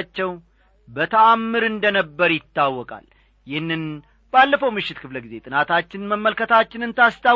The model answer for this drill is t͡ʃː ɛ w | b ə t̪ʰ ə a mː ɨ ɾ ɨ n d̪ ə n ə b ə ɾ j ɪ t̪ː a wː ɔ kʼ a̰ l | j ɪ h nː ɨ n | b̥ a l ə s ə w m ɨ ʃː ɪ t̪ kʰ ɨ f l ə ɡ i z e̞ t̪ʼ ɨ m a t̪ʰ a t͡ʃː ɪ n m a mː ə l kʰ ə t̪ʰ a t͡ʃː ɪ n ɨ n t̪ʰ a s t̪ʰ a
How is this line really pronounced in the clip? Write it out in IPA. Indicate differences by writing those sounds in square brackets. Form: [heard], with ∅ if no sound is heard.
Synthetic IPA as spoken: t͡ʃː ɛ w | b ə t̪ʰ ə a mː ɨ ɾ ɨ n d̪ ə n ə [bː] ə ɾ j ɪ t̪ː a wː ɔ kʼ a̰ l | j ɪ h nː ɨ n | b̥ a [lː] ə [f] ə w m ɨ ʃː ɪ t̪ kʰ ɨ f l ə ɡ i z e̞ t̪ʼ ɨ [n] a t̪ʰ a t͡ʃː ɪ n m [ə] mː ə l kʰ ə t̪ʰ a t͡ʃː ɪ n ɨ n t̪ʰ a s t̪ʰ a